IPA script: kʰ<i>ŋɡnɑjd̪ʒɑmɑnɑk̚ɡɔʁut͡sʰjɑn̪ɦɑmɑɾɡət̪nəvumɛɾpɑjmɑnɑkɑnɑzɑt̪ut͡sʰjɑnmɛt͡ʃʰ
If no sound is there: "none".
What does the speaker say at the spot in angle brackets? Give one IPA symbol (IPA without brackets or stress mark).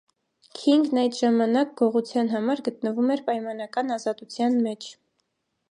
i